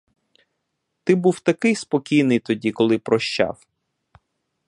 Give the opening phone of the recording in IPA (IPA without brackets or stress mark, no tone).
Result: t̪